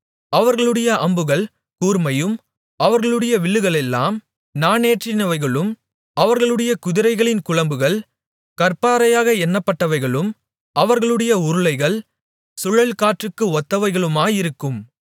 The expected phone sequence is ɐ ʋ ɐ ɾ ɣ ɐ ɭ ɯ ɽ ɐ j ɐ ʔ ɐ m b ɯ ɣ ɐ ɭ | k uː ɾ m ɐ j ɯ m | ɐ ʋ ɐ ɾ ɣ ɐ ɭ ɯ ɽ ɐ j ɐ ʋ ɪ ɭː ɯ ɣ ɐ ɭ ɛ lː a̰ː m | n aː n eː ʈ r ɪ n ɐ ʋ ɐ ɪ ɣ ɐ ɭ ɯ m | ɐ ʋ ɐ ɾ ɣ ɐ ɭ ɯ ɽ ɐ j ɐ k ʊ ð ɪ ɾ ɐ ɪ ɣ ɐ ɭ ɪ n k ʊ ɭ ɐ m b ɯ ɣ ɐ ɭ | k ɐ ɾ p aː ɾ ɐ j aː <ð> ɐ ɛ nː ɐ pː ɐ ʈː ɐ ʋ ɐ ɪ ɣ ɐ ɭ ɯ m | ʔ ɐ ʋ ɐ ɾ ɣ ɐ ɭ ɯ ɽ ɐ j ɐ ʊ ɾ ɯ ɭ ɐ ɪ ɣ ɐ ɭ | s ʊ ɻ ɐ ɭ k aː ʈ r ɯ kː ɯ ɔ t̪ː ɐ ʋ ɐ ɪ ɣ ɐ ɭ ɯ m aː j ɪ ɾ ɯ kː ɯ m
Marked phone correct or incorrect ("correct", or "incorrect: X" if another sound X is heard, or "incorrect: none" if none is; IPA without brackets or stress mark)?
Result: incorrect: ɣ